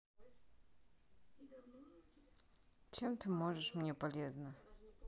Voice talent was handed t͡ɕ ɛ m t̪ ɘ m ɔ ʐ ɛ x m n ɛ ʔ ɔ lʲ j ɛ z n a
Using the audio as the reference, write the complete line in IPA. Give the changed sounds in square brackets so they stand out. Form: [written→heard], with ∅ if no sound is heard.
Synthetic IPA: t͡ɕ ɛ m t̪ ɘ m ɔ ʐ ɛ [x→ʂ] m [n→ɲ] ɛ [ʔ→p] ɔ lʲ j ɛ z n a